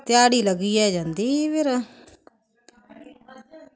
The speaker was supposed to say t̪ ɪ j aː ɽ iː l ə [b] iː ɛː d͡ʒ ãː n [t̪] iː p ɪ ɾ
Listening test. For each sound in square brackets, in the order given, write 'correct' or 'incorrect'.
incorrect: ɡ, incorrect: d̪

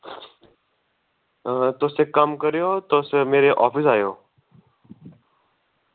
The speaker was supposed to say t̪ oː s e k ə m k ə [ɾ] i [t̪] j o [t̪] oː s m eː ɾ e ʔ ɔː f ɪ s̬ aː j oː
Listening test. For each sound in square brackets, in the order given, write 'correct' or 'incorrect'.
correct, incorrect: none, correct

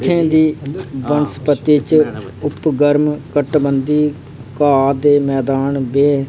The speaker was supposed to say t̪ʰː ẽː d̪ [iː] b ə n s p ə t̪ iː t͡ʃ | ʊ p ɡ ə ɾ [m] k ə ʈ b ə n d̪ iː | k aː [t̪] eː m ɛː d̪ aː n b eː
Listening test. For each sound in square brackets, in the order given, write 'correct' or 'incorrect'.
correct, correct, incorrect: d̪

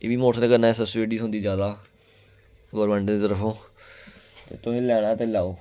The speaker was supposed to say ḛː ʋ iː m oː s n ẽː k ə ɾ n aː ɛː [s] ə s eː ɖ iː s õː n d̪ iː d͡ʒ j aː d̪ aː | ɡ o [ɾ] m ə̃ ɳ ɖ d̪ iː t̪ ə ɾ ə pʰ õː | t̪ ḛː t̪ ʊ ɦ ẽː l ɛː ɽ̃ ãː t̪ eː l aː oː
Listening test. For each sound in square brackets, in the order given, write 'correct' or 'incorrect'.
correct, correct

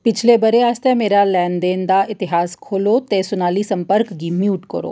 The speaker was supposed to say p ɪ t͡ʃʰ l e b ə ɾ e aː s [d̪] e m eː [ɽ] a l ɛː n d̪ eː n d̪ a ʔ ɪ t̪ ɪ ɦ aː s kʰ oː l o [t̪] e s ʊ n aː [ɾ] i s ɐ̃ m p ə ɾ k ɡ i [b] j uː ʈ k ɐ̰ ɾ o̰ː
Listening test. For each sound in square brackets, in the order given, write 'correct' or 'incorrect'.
incorrect: t̪, incorrect: ɾ, correct, incorrect: l, incorrect: m

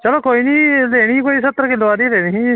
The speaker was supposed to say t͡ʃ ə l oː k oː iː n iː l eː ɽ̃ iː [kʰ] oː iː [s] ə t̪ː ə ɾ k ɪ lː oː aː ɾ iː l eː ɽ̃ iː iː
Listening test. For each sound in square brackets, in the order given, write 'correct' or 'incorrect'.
incorrect: k, correct

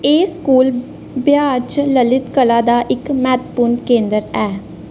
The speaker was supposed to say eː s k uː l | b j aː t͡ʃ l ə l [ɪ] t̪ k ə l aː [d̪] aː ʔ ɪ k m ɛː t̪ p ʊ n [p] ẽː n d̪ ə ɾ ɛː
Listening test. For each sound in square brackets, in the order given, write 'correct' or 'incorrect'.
correct, correct, incorrect: k

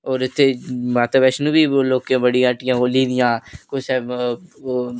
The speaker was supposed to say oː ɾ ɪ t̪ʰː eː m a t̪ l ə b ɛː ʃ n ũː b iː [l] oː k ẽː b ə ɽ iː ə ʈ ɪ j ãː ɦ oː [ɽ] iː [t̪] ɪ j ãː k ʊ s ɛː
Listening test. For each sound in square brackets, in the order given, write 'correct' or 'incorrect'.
correct, incorrect: l, incorrect: d̪

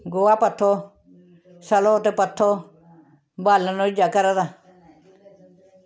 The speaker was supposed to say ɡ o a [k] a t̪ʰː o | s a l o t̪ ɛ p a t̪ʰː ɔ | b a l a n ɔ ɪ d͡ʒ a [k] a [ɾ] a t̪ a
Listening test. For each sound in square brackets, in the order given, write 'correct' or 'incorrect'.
incorrect: p, correct, correct

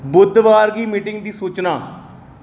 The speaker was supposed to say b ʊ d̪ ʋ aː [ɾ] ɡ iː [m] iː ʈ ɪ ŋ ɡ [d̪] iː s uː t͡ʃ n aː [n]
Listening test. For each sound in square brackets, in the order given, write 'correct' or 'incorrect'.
correct, correct, correct, incorrect: none

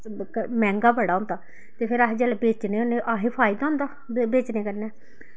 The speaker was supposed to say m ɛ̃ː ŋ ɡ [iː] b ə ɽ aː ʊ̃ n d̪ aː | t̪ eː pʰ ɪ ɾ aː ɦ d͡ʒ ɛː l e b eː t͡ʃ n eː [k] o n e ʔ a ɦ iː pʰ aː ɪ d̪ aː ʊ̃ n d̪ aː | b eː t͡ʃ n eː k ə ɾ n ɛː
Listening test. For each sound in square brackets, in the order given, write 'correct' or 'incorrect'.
incorrect: aː, incorrect: none

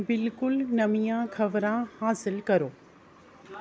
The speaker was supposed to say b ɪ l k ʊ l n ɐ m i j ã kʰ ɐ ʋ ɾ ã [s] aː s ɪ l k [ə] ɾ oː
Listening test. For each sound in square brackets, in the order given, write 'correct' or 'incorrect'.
incorrect: h, incorrect: ɐ

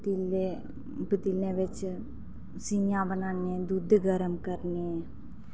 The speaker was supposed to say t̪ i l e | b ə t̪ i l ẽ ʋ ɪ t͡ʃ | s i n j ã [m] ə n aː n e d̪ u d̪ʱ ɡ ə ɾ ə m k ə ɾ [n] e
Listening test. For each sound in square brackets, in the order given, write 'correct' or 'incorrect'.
incorrect: b, correct

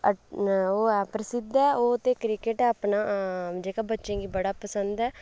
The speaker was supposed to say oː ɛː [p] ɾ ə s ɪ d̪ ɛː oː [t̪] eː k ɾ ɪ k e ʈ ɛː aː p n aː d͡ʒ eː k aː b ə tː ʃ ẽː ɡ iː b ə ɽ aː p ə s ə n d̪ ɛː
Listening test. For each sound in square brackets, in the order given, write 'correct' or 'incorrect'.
correct, correct

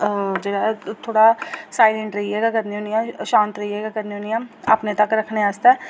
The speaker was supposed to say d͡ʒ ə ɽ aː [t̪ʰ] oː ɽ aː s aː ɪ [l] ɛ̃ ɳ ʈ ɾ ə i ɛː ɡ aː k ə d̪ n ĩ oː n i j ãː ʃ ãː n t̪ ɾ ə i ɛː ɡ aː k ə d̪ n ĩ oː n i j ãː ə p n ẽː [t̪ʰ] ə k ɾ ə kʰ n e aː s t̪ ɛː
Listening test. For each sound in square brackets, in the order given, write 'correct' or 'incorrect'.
correct, correct, incorrect: t̪

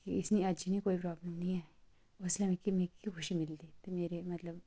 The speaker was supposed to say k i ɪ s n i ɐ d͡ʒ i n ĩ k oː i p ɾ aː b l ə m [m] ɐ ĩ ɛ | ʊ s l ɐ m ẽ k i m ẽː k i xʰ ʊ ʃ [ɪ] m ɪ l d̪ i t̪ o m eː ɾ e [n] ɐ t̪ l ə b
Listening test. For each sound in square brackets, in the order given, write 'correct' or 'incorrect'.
incorrect: n, incorrect: i, incorrect: m

